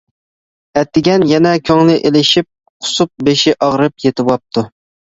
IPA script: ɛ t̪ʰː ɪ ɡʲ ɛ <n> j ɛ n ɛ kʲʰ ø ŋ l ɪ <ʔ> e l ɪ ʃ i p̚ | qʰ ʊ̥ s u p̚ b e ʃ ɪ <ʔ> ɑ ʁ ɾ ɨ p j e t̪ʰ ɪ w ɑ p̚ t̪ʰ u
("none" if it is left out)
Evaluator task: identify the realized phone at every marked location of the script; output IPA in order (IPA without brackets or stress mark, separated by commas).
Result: n, ʔ, ʔ